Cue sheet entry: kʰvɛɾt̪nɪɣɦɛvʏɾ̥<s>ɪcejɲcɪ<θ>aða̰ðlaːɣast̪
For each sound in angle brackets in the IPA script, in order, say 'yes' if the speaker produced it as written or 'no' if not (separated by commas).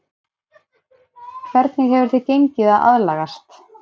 no, no